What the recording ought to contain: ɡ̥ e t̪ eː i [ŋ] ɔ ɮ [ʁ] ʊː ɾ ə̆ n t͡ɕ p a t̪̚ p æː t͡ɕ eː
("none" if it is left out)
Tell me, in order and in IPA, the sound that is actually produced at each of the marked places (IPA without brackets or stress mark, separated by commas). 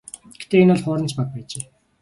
n, χ